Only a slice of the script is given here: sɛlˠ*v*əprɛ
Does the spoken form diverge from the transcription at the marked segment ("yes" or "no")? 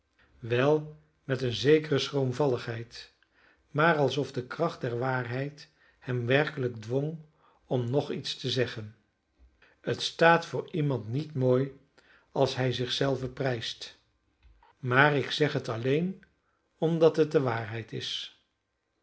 no